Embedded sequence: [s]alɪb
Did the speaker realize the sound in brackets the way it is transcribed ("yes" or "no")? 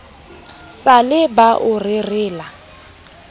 yes